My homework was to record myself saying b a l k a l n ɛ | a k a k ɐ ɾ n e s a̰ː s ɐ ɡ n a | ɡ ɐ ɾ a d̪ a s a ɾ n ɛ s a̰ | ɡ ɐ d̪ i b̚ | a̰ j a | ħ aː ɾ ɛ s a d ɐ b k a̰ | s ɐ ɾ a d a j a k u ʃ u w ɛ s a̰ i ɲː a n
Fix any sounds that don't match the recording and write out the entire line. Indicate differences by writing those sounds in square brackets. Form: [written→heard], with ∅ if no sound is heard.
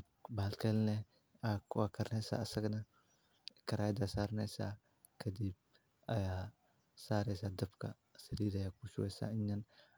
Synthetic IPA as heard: b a l k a l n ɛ | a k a k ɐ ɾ n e s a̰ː s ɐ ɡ n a | [ɡ→k] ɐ ɾ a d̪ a s a ɾ n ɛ s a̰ | [ɡ→k] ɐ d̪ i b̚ | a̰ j a | [ħ→s] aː ɾ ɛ s a d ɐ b k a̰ | s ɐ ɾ [a→i] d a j a k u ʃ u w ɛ s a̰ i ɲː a n